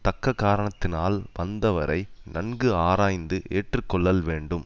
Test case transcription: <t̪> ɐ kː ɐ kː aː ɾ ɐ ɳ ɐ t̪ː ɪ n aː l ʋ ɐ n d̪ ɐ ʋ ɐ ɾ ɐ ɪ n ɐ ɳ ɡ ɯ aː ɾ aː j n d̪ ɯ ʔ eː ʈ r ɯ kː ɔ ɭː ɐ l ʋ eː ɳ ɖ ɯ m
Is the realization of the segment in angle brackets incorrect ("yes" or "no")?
no